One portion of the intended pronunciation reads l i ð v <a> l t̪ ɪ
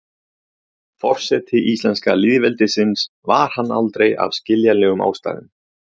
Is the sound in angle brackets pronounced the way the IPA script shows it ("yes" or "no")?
no